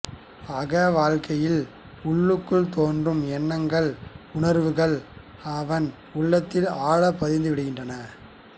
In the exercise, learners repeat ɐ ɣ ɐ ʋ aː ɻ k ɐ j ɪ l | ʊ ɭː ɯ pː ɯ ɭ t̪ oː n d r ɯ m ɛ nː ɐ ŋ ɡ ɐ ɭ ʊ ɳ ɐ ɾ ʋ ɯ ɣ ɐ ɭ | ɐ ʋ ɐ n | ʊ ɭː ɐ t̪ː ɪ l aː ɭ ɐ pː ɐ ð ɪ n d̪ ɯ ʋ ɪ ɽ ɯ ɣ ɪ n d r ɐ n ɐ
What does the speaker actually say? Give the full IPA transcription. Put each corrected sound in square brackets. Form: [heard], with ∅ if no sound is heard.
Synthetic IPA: ɐ ɣ ɐ ʋ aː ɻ k ɐ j ɪ l | ʊ ɭː ɯ [kː] ɯ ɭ t̪ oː n d r ɯ m ɛ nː ɐ ŋ ɡ ɐ ɭ ʊ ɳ ɐ ɾ ʋ ɯ ɣ ɐ ɭ | ɐ ʋ ɐ n | ʊ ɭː ɐ t̪ː ɪ l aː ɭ ɐ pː ɐ ð ɪ n d̪ ɯ ʋ ɪ ɽ ɯ ɣ ɪ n d r ɐ n ɐ